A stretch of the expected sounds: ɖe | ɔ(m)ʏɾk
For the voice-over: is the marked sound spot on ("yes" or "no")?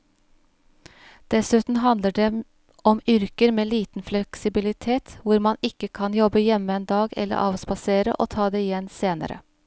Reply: yes